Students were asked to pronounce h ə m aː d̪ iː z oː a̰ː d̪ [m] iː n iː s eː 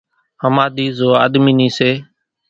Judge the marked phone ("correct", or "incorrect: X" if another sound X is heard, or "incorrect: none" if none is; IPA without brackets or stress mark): correct